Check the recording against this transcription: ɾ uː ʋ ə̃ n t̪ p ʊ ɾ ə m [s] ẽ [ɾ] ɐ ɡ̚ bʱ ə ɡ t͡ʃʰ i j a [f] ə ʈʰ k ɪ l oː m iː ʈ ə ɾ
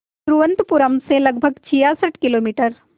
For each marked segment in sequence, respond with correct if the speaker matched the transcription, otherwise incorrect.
correct, incorrect: l, incorrect: s

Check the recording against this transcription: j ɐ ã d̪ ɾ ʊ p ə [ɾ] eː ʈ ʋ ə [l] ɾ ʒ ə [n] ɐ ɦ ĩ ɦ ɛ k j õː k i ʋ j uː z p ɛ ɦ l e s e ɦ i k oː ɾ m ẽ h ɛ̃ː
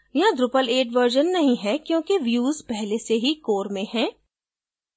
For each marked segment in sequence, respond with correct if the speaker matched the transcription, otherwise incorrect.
incorrect: l, incorrect: none, incorrect: nː

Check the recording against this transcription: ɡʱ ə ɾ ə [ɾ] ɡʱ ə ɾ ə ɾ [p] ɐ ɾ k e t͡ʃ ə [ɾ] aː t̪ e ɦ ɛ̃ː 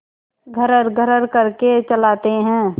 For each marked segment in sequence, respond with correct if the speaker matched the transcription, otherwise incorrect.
correct, incorrect: k, incorrect: l

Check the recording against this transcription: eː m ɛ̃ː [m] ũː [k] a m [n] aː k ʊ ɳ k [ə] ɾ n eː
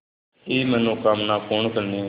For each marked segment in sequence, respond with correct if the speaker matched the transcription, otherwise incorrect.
incorrect: n, correct, correct, correct

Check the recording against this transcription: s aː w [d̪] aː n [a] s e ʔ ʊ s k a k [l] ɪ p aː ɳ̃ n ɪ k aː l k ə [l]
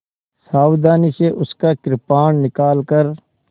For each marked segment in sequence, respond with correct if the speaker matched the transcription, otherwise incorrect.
correct, incorrect: i, incorrect: ɾ, incorrect: ɾ

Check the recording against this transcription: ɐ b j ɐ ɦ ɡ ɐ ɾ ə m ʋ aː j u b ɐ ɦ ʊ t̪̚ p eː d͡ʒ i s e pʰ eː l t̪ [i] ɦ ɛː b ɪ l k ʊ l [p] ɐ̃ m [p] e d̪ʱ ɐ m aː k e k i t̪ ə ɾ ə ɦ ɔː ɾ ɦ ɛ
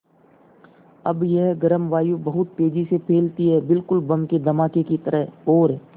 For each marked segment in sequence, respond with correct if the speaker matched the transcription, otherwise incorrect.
correct, incorrect: b, incorrect: k

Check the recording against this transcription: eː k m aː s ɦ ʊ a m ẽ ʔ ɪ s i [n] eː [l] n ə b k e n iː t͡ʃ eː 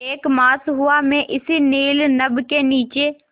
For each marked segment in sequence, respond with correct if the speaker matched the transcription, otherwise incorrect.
correct, correct

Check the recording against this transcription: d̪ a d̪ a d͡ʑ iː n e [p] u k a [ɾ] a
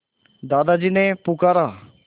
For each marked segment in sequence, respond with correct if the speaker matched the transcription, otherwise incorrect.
correct, correct

